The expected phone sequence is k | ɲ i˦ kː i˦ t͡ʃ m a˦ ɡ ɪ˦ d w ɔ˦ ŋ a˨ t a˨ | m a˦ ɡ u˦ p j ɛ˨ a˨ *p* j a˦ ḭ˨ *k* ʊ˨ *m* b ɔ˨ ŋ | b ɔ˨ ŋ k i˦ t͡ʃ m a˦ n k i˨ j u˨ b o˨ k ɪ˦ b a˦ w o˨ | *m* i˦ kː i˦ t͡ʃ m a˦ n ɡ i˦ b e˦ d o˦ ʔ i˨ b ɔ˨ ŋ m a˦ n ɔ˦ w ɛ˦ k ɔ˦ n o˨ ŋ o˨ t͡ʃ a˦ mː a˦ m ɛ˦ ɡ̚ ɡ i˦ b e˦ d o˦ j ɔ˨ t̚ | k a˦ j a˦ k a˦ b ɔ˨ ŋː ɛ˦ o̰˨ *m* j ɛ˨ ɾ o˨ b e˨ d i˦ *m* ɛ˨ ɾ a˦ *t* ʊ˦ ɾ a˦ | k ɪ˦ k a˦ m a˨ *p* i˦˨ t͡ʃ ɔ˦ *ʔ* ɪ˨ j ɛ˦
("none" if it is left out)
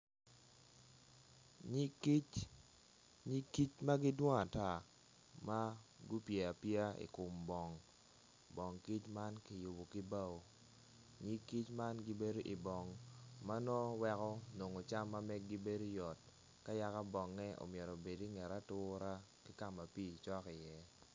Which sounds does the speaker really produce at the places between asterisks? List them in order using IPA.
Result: p, k, m, ɲ, m, ŋ, t, p, k

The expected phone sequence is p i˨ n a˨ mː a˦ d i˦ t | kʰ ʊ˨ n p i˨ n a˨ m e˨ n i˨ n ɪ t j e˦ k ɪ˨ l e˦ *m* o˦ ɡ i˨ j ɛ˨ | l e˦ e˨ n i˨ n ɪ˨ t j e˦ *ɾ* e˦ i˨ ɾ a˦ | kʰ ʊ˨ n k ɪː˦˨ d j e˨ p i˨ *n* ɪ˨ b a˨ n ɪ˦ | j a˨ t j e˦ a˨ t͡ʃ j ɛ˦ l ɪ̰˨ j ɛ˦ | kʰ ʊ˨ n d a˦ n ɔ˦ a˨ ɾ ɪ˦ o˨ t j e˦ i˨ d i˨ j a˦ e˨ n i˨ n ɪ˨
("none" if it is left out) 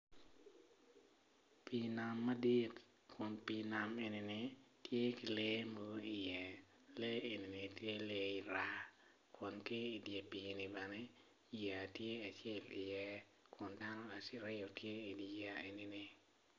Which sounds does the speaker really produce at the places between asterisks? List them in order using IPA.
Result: m, l, n

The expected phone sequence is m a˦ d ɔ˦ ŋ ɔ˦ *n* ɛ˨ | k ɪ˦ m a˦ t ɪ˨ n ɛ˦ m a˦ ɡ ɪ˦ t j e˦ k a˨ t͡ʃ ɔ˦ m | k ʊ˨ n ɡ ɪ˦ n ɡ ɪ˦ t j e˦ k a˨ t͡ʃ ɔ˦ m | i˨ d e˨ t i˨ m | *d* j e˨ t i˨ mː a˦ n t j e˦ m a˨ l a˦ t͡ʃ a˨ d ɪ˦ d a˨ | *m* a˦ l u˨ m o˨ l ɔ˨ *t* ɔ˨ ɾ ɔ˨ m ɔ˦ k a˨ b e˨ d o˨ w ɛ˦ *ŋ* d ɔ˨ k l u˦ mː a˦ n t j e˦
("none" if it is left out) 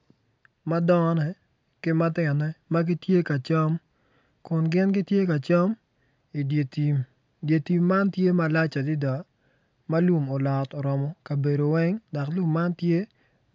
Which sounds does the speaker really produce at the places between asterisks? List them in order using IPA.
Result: n, d, m, t, ŋ

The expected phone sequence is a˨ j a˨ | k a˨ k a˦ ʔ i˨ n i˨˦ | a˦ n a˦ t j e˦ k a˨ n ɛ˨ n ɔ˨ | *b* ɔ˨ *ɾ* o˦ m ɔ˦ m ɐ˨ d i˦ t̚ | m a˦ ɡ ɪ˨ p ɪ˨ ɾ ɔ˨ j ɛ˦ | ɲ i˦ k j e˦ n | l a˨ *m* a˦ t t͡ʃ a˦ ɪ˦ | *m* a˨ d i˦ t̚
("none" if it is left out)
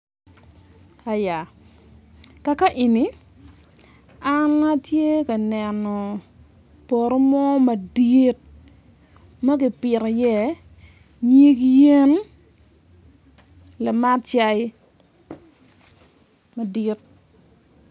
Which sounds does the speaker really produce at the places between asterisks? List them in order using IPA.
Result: p, ɾ, m, m

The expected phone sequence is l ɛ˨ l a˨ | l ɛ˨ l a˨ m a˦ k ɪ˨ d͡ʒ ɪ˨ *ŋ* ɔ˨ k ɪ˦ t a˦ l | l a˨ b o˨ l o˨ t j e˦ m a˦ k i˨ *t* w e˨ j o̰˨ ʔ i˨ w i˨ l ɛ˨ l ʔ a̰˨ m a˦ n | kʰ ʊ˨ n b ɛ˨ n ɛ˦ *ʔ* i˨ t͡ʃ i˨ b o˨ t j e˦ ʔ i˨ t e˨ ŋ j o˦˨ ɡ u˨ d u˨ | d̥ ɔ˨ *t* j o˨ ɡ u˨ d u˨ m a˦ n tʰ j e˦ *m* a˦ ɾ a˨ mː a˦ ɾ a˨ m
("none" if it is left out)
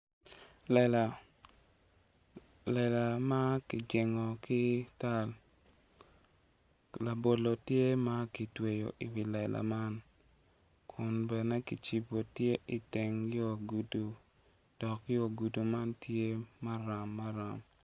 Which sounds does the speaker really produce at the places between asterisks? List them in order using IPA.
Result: ŋ, t, k, k, m

